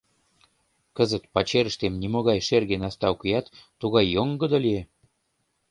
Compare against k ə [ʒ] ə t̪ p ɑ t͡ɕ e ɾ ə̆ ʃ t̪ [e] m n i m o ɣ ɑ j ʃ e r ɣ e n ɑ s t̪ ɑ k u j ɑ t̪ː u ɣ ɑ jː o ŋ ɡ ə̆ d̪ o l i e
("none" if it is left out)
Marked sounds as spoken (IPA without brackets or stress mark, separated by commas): z, e